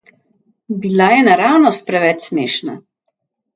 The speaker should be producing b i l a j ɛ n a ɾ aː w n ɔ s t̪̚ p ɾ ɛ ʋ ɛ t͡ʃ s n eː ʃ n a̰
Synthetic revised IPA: b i l a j ɛ n a ɾ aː w n ɔ s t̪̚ p ɾ ɛ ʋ ɛ t͡ʃ s m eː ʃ n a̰